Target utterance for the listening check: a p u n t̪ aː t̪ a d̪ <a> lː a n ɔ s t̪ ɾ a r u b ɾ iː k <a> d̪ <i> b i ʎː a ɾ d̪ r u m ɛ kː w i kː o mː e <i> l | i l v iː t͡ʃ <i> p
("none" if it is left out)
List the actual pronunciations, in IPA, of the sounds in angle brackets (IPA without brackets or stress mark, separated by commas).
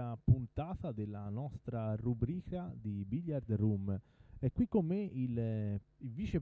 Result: e, a, i, i, e